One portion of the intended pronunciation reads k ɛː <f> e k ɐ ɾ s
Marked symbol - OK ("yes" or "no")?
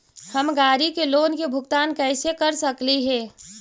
no